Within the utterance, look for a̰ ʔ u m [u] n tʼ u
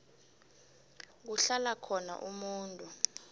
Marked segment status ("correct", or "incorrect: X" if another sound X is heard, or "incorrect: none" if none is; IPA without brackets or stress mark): incorrect: uː